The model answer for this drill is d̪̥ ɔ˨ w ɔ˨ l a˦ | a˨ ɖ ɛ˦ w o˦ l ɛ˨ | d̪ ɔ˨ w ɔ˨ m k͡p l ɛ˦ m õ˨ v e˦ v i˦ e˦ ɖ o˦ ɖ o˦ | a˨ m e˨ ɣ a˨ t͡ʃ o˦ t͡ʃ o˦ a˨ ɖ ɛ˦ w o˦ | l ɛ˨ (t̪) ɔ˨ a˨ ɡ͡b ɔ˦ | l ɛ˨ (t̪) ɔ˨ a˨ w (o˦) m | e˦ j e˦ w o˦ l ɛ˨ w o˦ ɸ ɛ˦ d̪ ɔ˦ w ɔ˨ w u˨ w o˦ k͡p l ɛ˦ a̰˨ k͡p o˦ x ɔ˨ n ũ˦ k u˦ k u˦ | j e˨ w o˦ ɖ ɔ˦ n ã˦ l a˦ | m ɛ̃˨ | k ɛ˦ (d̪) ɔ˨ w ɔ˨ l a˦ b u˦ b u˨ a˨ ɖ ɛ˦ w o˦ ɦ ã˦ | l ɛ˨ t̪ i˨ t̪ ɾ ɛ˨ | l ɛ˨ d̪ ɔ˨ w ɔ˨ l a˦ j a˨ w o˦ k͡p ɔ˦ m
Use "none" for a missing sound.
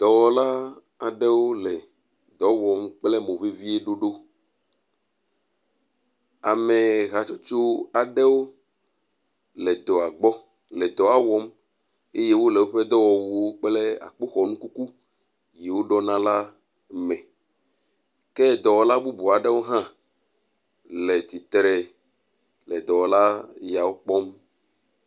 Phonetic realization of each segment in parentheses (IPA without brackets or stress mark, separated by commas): d̪, d̪, ɔ˦, d̪